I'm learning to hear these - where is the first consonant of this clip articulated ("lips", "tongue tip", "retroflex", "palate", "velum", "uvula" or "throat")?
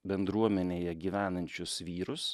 lips